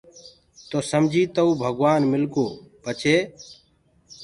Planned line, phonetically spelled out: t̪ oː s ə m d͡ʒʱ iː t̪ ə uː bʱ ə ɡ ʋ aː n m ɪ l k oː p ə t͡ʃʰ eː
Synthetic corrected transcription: t̪ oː s ə m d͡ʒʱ iː t̪ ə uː bʱ ə ɡ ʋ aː n m ɪ l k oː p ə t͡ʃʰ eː